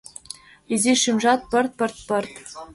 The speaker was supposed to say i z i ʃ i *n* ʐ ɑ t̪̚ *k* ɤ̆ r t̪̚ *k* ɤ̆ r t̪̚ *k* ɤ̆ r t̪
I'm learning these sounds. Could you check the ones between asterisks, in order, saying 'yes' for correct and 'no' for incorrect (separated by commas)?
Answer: no, no, no, no